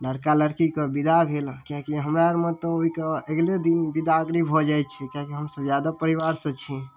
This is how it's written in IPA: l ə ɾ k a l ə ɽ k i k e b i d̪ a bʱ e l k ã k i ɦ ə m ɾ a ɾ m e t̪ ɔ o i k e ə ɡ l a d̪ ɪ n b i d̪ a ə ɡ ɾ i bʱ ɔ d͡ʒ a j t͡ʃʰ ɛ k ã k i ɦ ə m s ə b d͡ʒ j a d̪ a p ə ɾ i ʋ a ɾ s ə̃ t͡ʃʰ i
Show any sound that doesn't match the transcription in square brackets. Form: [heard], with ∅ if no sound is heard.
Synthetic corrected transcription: l ə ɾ k a l ə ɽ k i k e b i d̪ a bʱ e l k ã k i ɦ ə m ɾ a ɾ m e t̪ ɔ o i k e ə ɡ l [e] d̪ [i] n b i d̪ a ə ɡ ɾ i bʱ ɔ d͡ʒ a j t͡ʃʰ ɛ k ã k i ɦ ə m s ə b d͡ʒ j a d̪ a p ə ɾ i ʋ a ɾ s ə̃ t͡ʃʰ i